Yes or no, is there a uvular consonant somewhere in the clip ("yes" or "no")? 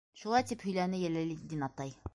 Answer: no